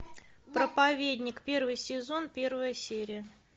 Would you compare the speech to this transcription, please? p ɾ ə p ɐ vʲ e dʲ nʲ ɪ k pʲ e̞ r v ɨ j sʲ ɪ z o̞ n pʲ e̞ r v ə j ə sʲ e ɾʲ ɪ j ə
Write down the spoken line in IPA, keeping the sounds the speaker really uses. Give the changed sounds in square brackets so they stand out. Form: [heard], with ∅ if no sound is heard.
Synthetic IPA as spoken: p ɾ ə p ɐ vʲ e dʲ nʲ ɪ k pʲ e̞ r v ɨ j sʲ ɪ z o̞ n pʲ e̞ r v ə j ə sʲ e ɾʲ ɪ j ə